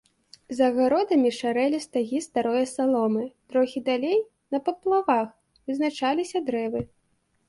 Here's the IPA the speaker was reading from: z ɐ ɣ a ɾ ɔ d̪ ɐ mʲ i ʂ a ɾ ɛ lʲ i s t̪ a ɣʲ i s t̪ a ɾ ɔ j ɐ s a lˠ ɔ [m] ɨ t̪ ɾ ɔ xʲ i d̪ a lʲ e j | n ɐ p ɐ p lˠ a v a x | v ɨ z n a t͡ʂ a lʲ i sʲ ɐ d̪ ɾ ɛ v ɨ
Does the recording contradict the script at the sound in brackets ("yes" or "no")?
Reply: no